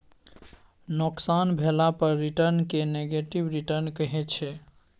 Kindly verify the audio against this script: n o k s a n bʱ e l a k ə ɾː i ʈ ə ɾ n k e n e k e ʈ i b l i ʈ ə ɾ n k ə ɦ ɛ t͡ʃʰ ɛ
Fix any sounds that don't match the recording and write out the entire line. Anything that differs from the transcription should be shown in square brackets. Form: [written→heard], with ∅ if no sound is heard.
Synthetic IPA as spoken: n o k s a n bʱ e l a [k→p] ə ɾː i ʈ ə ɾ n k e n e [k→ɡ] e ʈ i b [l→ɾ] i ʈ ə ɾ n k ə ɦ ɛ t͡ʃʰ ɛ